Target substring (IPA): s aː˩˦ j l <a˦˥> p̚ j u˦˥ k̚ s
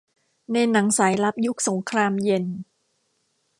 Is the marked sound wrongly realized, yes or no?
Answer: no